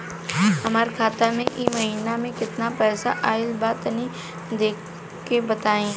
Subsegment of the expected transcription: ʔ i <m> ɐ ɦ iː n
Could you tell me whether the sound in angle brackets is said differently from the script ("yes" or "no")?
no